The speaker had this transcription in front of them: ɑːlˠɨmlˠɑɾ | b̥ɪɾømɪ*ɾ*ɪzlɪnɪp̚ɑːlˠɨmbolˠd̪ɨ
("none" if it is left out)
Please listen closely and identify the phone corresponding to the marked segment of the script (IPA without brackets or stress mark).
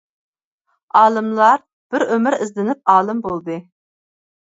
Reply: ɾ